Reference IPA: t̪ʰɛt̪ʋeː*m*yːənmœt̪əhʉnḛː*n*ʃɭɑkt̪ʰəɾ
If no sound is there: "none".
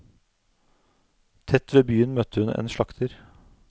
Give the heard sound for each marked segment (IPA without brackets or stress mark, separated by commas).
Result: b, n